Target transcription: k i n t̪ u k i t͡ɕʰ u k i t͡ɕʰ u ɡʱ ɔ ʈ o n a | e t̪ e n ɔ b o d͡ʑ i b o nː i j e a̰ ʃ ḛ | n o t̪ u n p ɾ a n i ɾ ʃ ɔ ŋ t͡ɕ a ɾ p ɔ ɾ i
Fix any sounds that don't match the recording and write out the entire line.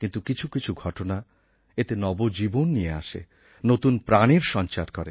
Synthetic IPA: k i n t̪ u k i t͡ɕʰ u k i t͡ɕʰ u ɡʱ ɔ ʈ o n a | e t̪ e n ɔ b o d͡ʑ i b o nː i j e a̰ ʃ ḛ | n o t̪ u n p ɾ a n i ɾ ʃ ɔ n t͡ɕ a ɾ k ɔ ɾ e